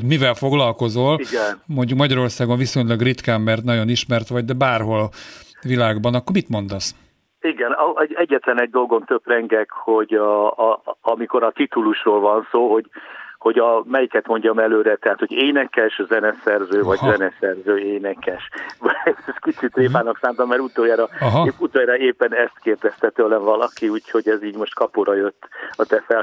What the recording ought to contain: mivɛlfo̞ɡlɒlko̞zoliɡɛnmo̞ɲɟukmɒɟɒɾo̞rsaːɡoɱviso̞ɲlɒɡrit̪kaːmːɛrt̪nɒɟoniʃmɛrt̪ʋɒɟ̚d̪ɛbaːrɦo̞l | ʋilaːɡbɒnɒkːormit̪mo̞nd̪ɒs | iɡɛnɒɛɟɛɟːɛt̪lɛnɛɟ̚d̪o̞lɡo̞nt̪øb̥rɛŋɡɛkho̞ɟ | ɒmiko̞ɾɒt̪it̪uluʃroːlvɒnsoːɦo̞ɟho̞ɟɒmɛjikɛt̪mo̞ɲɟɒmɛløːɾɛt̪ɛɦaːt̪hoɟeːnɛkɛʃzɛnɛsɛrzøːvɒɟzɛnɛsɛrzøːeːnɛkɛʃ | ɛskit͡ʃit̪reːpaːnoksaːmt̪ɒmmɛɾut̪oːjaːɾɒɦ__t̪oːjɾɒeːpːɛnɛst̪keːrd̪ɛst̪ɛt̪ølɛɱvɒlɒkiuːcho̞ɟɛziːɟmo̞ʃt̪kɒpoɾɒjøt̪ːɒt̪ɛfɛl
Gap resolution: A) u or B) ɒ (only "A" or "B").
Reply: A